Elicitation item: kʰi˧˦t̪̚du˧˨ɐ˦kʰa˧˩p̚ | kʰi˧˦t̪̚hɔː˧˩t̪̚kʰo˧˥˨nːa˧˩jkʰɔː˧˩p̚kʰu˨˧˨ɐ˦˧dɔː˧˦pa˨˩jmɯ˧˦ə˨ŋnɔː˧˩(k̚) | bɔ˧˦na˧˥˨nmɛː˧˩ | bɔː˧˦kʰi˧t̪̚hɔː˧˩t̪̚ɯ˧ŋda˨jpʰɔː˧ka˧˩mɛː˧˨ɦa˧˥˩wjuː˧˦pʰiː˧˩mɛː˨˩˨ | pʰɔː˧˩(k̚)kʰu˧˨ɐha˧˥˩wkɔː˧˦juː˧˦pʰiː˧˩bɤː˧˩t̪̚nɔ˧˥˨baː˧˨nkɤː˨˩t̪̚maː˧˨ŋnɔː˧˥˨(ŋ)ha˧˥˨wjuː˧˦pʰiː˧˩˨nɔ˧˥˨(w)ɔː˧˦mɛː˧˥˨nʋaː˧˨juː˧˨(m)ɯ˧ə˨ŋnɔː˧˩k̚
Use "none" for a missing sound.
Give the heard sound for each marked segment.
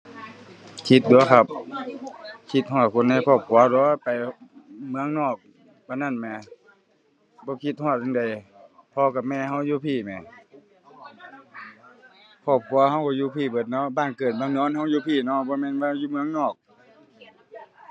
k̚, p̚, n, b, m

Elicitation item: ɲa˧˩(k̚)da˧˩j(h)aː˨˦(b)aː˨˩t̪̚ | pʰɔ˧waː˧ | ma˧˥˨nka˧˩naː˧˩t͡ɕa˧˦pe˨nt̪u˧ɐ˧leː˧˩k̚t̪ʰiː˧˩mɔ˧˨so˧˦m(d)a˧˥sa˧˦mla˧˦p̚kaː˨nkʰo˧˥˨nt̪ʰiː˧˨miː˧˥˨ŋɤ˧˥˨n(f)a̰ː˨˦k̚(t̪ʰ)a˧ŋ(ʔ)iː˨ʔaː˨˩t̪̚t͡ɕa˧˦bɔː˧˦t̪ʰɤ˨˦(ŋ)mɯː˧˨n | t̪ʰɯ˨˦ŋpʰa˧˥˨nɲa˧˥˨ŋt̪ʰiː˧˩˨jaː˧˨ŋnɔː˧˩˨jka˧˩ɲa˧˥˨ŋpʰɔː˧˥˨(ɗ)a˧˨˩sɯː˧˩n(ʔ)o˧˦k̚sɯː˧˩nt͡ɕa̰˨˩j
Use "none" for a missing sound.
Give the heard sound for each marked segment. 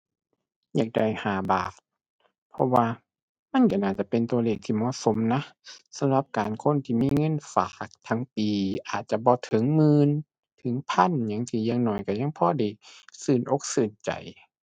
k̚, h, b, n, f, t̪ʰ, p, ŋ, d, ʔ

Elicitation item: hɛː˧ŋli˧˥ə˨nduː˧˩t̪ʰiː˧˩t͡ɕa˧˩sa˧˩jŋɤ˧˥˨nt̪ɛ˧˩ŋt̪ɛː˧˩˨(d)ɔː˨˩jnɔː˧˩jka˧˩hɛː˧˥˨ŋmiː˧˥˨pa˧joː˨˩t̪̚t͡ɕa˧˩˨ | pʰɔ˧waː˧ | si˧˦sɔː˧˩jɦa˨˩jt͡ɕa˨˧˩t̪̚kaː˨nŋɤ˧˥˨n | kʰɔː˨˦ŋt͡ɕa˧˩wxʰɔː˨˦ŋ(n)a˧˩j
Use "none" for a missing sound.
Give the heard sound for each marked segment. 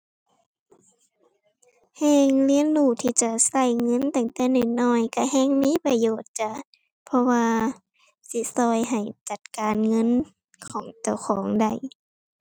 n, d

